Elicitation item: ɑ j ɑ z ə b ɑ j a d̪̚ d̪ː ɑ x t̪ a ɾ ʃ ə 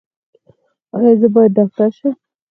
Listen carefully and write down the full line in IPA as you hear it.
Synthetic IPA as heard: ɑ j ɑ z ə b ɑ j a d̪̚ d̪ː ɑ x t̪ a ɾ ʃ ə